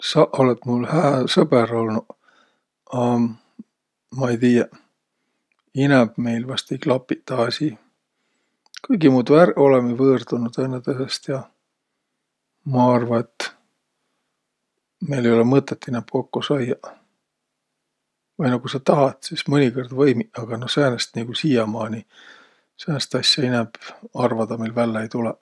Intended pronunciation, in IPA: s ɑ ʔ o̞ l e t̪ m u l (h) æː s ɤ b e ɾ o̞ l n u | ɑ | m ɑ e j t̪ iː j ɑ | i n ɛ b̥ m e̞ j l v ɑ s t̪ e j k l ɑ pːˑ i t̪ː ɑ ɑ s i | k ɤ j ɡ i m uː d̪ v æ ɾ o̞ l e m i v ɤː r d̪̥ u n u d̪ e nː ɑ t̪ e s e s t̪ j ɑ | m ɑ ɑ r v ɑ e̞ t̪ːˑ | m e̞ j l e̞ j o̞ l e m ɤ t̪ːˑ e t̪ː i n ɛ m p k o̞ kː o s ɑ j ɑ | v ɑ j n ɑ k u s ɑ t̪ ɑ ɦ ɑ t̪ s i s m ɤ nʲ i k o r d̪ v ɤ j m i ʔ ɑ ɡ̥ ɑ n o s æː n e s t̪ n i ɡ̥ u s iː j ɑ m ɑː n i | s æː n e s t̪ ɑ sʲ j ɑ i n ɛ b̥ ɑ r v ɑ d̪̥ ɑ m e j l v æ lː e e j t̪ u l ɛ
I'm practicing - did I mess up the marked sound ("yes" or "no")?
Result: no